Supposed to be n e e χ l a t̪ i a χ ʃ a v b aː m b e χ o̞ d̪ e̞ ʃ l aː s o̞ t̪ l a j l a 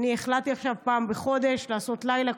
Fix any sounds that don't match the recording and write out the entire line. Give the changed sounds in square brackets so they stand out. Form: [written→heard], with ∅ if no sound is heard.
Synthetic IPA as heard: n [e→i] e χ l a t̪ i a χ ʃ a v [b→p] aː m b e χ o̞ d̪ e̞ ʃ l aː s o̞ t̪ l a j l a